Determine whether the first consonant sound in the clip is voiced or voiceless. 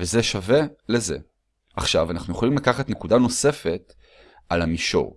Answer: voiced